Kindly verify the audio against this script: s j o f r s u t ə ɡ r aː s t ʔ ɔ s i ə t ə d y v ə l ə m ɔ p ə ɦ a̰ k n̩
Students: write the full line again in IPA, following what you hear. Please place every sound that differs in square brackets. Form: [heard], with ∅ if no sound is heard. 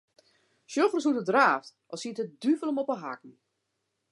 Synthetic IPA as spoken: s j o f r s u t ə [d] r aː [f] t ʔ ɔ s i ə t ə d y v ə l ə m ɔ p ə ɦ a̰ k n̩